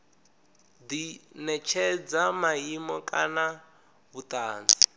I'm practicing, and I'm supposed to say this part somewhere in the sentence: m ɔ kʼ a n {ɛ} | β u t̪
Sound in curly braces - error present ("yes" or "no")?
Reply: yes